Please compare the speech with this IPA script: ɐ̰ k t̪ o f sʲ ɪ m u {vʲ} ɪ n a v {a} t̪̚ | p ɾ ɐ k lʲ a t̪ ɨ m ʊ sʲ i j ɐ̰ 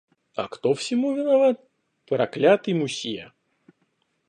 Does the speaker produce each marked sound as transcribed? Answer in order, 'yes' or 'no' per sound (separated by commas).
yes, yes